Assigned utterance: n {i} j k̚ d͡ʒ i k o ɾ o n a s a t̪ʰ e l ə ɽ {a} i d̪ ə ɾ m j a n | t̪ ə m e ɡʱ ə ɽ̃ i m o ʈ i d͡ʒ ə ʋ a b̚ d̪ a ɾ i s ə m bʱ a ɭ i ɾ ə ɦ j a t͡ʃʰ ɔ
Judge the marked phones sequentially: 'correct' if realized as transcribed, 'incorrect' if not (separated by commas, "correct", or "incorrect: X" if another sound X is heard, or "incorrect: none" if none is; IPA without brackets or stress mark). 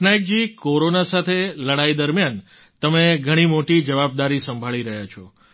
incorrect: a, correct